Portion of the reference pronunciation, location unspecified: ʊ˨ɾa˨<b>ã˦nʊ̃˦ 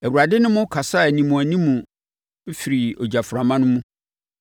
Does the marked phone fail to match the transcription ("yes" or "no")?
yes